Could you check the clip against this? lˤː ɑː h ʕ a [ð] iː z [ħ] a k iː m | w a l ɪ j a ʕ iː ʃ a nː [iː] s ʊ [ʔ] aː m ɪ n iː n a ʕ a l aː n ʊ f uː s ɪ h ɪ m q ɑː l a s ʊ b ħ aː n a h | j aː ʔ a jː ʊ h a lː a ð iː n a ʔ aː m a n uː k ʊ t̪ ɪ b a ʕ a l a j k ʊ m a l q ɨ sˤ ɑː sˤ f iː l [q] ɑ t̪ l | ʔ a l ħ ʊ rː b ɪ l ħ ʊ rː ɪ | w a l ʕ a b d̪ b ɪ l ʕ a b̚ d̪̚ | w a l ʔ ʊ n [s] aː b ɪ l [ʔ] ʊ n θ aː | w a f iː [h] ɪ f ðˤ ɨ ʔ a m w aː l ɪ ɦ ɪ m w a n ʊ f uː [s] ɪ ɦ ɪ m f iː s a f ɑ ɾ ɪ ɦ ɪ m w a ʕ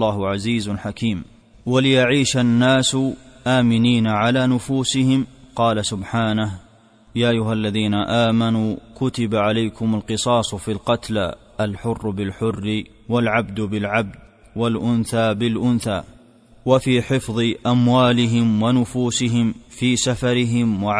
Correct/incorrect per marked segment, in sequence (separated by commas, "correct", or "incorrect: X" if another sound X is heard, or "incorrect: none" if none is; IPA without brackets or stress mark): incorrect: z, correct, incorrect: aː, correct, correct, incorrect: θ, correct, incorrect: ħ, correct